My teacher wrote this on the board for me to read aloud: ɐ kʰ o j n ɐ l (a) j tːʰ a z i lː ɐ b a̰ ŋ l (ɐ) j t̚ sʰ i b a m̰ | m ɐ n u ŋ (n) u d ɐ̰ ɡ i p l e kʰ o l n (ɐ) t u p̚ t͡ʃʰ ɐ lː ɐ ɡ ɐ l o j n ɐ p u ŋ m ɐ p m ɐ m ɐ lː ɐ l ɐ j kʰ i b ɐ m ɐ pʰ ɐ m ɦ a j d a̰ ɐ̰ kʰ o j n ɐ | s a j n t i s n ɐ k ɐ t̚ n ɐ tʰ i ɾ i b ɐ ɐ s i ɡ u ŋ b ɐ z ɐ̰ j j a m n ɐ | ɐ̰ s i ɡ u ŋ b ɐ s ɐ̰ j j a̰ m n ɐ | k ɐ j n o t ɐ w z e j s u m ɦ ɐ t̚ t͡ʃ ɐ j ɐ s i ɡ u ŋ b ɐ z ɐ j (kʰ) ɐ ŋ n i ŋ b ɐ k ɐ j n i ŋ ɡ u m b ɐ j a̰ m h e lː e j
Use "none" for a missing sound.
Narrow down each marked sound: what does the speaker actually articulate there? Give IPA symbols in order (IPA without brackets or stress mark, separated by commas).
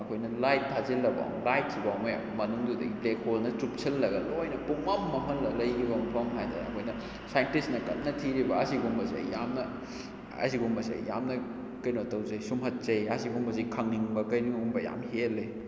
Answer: a, a, d, ɐ, kʰ